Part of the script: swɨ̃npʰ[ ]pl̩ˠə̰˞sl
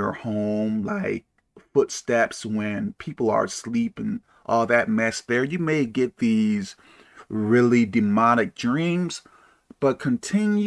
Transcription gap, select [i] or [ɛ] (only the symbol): i